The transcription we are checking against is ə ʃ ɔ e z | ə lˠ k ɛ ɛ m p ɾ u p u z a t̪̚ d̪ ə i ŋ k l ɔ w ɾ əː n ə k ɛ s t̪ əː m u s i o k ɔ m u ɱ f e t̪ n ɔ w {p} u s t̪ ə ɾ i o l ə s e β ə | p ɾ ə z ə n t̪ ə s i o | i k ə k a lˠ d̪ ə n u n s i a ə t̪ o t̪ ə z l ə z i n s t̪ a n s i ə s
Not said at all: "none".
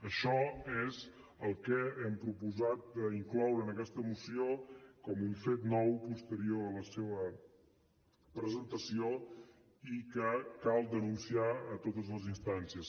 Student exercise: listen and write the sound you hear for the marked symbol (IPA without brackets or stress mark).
p